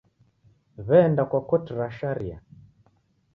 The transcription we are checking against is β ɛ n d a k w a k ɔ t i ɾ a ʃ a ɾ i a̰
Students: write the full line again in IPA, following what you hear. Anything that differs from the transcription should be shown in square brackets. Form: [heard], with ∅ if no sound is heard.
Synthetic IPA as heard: β ɛ n d a k w a k ɔ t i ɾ a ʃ a ɾ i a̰